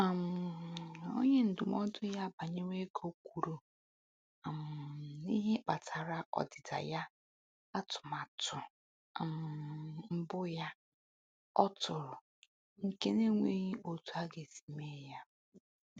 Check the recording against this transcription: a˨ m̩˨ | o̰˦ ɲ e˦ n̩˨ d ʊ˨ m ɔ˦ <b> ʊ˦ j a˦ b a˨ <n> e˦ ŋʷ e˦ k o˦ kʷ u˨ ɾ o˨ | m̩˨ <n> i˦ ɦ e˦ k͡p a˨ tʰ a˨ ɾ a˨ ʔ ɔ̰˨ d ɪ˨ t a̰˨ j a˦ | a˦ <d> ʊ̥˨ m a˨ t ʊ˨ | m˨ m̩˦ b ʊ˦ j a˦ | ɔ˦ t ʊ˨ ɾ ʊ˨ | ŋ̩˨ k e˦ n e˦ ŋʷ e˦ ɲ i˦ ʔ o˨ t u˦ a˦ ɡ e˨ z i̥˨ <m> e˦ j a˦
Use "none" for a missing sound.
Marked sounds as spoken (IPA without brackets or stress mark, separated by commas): d, ɲ, n, t, m